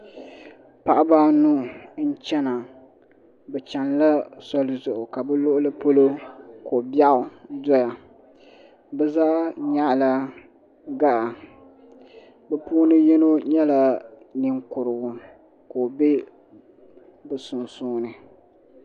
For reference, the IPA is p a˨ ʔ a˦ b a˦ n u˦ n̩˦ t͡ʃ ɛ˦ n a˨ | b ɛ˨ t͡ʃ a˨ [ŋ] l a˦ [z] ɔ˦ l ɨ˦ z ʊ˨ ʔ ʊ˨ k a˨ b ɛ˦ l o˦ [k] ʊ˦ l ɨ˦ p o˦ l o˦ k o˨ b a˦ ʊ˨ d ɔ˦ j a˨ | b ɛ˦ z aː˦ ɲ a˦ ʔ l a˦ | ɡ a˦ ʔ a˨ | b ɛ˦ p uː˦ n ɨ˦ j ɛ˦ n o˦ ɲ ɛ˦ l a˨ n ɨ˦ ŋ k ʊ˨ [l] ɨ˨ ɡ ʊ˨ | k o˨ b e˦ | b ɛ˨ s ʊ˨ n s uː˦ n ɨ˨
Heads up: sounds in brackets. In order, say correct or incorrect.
incorrect: n, incorrect: s, incorrect: ʔ, incorrect: ɾ

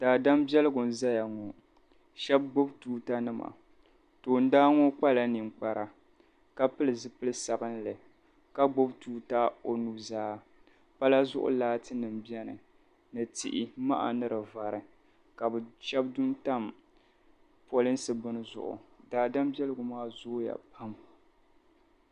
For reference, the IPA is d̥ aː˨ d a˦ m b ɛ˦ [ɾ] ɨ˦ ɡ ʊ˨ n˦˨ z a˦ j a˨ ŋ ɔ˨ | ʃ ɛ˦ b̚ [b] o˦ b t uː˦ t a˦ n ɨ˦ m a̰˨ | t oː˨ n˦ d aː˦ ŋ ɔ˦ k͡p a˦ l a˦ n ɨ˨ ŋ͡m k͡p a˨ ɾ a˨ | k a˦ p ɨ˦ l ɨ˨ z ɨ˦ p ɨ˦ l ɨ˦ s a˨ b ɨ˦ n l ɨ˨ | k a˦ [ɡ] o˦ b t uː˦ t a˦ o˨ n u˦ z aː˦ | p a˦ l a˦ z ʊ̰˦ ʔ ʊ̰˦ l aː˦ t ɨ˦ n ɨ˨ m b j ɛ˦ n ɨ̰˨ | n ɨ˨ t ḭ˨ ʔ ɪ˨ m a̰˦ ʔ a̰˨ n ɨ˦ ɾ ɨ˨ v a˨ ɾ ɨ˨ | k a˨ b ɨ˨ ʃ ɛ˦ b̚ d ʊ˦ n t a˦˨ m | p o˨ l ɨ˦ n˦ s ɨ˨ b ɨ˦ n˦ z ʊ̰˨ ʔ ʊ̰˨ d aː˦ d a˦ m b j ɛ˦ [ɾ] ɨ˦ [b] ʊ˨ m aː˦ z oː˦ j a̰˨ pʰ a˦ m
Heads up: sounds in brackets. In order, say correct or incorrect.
incorrect: l, incorrect: ɡ͡b, incorrect: ɡ͡b, incorrect: l, incorrect: ɡ

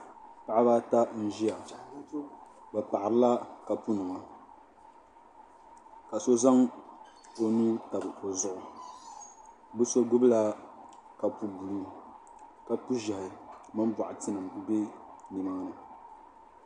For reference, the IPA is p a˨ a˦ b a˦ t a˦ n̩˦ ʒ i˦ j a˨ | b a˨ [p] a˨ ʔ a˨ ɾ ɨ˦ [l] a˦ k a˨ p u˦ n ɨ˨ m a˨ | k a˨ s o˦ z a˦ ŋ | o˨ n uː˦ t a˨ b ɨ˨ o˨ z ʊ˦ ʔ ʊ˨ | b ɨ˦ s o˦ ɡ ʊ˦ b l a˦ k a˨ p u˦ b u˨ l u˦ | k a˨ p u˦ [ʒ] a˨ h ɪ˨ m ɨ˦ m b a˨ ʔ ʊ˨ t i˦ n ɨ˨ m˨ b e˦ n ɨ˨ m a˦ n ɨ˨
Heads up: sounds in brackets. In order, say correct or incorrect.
correct, correct, correct

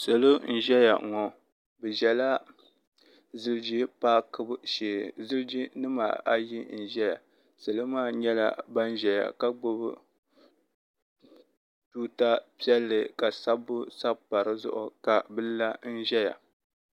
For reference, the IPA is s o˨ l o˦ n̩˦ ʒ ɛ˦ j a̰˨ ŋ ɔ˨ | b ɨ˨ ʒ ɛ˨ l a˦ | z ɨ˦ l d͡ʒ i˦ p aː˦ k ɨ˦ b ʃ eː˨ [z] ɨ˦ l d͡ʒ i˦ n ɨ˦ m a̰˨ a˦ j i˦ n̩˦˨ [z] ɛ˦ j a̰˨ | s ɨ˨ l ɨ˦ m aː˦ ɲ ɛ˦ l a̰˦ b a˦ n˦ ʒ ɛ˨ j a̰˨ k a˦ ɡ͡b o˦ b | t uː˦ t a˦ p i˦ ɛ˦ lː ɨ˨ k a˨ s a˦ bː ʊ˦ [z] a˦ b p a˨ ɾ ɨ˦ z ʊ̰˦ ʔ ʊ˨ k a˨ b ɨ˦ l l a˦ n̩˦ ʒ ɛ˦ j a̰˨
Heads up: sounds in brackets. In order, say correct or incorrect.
correct, incorrect: ʒ, incorrect: s

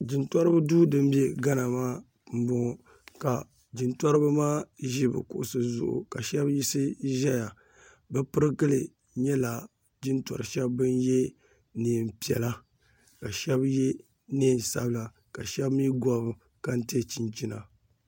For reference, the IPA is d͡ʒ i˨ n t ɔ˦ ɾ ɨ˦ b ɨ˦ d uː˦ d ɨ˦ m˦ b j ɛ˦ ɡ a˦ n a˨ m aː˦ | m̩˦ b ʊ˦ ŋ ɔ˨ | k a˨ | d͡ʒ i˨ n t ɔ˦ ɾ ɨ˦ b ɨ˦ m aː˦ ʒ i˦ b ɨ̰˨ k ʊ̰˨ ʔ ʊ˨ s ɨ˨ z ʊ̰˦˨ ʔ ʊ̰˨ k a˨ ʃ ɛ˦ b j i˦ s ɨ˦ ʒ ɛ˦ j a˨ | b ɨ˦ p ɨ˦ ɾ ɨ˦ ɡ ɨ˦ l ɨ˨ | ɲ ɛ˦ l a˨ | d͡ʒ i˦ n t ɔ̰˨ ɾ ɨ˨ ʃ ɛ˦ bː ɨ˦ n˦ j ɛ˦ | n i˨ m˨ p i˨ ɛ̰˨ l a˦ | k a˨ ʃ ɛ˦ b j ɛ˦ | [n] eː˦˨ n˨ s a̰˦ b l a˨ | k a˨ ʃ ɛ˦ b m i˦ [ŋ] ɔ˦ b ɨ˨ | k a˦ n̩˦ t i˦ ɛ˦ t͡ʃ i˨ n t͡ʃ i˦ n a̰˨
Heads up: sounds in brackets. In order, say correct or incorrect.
correct, incorrect: ɡ

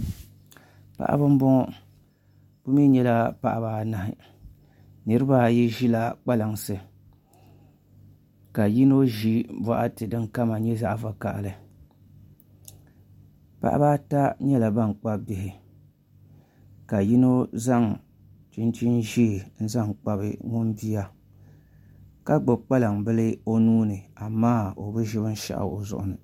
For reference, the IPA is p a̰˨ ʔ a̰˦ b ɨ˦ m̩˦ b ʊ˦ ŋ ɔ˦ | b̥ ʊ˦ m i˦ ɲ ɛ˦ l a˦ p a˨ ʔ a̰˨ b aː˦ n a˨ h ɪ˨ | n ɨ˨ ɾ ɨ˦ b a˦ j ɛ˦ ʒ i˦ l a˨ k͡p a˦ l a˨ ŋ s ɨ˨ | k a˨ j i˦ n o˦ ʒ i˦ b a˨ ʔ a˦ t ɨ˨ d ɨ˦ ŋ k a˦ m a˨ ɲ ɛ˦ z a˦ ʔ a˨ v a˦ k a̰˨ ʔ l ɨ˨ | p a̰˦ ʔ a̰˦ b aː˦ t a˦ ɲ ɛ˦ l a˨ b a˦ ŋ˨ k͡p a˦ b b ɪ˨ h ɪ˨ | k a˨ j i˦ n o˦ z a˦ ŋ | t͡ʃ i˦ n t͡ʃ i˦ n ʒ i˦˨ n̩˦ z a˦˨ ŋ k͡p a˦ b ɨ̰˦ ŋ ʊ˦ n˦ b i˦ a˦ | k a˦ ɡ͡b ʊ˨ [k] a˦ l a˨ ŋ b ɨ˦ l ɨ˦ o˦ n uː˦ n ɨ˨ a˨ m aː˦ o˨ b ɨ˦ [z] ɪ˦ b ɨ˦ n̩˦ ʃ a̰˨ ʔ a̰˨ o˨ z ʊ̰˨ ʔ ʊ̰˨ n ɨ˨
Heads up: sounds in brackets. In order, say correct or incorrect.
incorrect: k͡p, incorrect: ʒ

